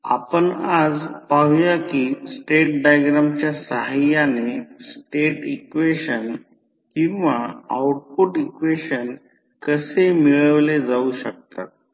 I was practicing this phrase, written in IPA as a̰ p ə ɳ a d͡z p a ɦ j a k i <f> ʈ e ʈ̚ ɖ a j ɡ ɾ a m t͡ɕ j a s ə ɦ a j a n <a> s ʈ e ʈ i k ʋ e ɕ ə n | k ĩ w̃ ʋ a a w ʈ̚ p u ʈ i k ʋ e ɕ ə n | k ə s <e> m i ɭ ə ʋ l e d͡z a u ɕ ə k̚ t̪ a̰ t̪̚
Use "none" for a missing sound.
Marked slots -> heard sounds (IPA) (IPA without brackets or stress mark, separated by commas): s, e, e